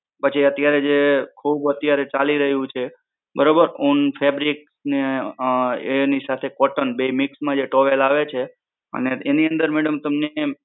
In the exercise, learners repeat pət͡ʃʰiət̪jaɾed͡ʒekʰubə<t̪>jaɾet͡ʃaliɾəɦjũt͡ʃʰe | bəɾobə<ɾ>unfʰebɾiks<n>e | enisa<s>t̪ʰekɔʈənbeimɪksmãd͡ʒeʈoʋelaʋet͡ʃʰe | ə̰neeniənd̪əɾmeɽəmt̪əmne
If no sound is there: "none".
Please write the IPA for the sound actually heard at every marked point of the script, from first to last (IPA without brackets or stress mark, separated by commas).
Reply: t̪, ɾ, n, none